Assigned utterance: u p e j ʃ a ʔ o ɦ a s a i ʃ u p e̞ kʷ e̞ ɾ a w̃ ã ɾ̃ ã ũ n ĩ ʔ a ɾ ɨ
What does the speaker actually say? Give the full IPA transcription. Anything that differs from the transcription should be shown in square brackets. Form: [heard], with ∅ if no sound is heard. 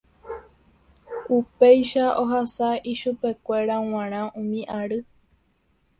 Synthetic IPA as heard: u p e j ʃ a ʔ o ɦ a s a i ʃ u p e̞ kʷ e̞ ɾ a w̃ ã ɾ̃ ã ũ [m] ĩ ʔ a ɾ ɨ